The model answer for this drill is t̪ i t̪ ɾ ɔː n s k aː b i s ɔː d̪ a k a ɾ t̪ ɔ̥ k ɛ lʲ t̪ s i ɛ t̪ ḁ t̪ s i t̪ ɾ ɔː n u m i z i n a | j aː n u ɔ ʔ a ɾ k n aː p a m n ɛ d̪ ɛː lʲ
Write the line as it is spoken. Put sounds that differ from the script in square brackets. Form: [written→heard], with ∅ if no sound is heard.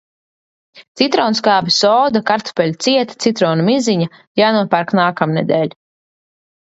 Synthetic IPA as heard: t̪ i t̪ ɾ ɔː n s k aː b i s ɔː d̪ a k a ɾ t̪ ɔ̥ [k→p] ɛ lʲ t̪ s i ɛ t̪ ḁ t̪ s i t̪ ɾ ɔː n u m i z i [n→ɲ] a | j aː n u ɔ [ʔ→p] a ɾ k n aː [p→k] a m n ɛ d̪ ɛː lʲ